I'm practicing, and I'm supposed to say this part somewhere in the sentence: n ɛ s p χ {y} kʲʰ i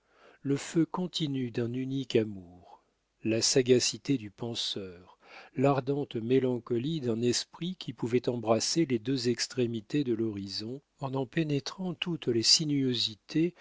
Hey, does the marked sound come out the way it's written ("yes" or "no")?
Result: no